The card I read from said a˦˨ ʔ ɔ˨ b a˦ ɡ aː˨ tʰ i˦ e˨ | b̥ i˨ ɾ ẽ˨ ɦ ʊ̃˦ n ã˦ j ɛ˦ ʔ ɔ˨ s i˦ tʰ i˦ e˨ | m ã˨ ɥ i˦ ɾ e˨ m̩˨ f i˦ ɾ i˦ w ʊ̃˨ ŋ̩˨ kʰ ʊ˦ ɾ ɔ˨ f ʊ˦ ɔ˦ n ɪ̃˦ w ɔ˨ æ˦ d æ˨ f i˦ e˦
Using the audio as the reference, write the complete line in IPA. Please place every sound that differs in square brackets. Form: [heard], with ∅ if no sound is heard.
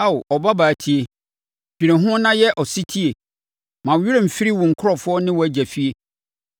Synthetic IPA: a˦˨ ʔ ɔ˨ b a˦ [b] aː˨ tʰ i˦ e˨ | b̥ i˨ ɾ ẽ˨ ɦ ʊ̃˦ n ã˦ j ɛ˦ ʔ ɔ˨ s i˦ tʰ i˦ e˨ | m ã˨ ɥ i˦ ɾ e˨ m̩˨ f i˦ ɾ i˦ w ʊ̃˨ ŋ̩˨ kʰ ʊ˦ ɾ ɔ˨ f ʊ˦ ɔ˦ n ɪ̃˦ w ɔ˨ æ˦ [d͡ʑ] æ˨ f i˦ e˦